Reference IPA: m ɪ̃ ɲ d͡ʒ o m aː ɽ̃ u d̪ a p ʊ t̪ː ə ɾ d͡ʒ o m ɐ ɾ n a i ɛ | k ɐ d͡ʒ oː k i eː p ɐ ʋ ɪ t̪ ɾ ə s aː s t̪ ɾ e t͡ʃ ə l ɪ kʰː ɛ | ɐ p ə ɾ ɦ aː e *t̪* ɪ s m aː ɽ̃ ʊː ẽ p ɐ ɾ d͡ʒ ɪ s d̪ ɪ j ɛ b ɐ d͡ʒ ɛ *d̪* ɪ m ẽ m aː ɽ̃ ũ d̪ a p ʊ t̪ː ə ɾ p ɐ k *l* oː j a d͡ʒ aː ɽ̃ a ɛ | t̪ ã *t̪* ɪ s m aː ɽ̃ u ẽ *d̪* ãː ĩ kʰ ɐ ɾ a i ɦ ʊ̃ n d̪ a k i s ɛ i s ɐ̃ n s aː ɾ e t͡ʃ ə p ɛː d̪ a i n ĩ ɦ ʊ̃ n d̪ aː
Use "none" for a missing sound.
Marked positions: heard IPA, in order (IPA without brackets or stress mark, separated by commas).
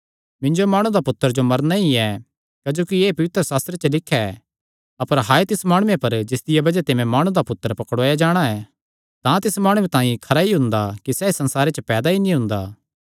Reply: t̪, t̪, ɽ, t̪, t̪